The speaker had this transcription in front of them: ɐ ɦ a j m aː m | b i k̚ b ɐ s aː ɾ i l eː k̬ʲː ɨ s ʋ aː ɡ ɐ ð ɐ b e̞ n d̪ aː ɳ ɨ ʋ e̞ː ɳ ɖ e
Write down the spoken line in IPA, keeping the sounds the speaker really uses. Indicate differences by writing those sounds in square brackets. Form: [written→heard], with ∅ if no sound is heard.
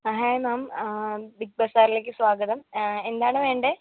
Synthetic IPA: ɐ ɦ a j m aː m | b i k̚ b ɐ s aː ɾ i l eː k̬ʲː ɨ s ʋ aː ɡ ɐ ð ɐ [b→m] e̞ n d̪ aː ɳ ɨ ʋ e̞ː ɳ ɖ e